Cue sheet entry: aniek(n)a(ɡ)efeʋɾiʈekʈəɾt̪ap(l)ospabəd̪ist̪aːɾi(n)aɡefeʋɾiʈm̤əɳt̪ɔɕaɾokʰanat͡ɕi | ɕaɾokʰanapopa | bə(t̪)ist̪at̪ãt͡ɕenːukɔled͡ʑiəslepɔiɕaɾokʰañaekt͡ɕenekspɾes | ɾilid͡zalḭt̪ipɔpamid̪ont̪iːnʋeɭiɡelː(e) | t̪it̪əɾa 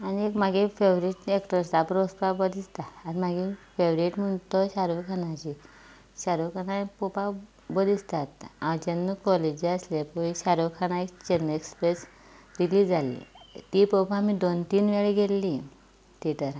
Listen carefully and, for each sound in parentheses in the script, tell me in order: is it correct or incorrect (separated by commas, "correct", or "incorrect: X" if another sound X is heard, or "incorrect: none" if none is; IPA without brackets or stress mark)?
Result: incorrect: m, correct, incorrect: ɾ, incorrect: m, incorrect: d̪, incorrect: i